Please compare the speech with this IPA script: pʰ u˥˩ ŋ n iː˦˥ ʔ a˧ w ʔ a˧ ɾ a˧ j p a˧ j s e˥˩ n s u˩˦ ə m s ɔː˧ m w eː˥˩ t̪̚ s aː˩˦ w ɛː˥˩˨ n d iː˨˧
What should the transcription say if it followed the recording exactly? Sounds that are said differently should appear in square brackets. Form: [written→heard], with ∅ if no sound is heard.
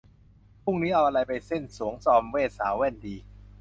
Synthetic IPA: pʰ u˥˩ ŋ n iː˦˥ ʔ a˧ w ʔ a˧ ɾ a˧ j p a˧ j s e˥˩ n s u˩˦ ə [m→ŋ] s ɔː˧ m w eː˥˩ t̪̚ s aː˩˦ w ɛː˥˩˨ n d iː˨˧